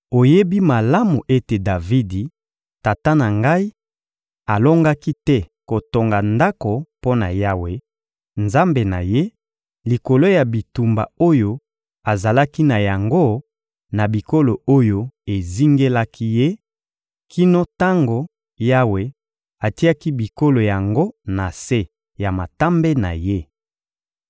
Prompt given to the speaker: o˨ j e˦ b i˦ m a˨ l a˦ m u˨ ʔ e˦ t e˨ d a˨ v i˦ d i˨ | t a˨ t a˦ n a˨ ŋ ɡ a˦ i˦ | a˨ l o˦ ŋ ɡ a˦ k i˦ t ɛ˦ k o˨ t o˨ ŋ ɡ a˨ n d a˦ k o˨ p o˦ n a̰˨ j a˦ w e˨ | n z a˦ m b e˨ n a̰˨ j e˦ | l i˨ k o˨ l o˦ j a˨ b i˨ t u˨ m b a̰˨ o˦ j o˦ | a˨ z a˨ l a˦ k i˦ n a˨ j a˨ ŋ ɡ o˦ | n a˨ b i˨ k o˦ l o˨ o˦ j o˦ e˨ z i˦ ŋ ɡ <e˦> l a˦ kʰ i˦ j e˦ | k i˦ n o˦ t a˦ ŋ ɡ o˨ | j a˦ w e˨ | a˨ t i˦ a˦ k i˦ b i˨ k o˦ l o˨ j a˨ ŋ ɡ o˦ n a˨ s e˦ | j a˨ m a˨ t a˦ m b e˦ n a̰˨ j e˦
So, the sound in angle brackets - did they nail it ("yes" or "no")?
yes